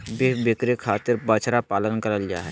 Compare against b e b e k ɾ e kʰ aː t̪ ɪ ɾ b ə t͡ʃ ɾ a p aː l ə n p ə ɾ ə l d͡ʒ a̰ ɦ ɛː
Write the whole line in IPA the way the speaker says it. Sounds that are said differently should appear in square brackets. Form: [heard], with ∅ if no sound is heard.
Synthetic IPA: b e b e k ɾ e kʰ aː t̪ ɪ ɾ b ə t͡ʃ ɾ a p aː l ə n [k] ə ɾ ə l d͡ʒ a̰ ɦ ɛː